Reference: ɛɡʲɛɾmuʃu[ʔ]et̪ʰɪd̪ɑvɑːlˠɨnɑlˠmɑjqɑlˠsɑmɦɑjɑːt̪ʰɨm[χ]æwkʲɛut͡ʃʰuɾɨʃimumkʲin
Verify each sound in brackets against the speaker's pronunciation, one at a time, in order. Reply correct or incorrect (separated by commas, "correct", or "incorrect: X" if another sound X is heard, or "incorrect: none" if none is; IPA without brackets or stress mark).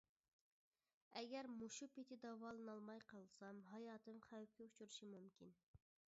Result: incorrect: p, correct